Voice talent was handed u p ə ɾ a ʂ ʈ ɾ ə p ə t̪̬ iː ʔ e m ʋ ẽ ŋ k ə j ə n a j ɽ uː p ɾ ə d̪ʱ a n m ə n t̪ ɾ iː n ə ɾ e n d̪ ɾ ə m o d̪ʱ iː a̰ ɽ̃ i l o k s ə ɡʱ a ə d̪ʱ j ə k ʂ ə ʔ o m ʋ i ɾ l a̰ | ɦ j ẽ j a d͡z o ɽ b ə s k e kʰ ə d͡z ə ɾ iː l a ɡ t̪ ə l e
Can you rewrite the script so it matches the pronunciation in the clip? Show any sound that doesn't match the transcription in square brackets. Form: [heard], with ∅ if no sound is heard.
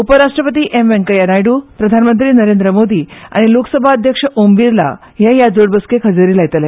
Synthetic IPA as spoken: u p ə ɾ a ʂ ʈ ɾ ə p ə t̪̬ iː ʔ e m ʋ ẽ ŋ k ə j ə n a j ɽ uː p ɾ ə d̪ʱ a n m ə n t̪ ɾ iː n ə ɾ e n d̪ ɾ ə m o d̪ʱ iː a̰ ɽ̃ i l o k s ə [bʱ] a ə d̪ʱ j ə k ʂ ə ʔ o m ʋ i ɾ l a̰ | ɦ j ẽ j a d͡z o ɽ b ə s k e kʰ ə d͡z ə ɾ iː l a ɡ t̪ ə l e